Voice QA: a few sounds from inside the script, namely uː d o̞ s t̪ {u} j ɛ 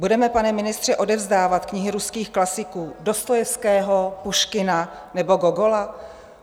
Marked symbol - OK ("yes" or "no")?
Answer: no